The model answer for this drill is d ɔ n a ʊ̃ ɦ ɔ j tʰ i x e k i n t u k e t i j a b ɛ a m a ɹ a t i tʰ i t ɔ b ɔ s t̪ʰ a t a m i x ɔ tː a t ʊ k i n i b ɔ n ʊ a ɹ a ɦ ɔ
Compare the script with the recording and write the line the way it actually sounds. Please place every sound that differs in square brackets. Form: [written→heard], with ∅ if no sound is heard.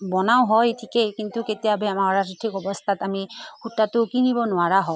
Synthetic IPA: [d→b] ɔ n a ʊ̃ ɦ ɔ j tʰ i [x→k] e k i n t u k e t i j a b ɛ a m a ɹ a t i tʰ i [t→k] ɔ b ɔ s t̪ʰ a t a m i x [ɔ→u] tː a t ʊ k i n i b ɔ n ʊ a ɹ a ɦ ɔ